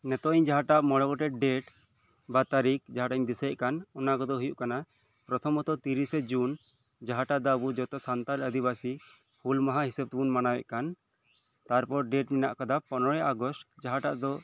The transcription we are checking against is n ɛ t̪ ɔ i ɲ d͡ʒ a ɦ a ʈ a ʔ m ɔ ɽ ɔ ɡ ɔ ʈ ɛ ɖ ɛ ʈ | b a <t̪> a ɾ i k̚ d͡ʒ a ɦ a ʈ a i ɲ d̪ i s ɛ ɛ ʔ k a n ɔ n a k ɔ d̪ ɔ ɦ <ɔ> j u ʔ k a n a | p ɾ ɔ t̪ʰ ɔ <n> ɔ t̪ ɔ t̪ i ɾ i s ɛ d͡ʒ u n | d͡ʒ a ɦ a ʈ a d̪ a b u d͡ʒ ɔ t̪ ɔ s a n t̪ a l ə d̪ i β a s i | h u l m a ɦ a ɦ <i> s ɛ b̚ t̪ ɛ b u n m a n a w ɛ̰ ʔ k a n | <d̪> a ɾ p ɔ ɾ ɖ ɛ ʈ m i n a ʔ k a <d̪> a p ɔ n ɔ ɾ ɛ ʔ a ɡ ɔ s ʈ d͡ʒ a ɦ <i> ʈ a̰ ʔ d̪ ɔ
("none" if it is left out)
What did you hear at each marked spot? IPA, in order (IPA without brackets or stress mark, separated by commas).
t̪, u, m, i, t̪, d̪, a